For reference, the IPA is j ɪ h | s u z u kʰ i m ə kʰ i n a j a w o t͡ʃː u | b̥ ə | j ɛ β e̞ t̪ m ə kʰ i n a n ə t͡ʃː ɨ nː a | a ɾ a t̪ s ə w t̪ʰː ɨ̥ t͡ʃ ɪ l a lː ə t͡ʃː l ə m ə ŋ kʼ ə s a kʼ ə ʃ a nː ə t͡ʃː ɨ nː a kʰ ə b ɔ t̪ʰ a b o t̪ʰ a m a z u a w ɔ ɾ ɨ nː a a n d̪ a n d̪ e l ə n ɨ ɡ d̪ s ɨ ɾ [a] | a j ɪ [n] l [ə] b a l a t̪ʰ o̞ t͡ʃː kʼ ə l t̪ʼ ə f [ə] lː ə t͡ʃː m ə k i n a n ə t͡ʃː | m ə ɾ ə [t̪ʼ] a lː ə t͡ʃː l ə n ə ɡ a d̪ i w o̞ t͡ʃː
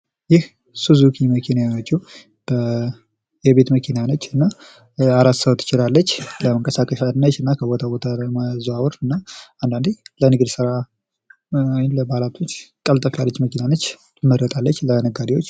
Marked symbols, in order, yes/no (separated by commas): yes, yes, yes, no, yes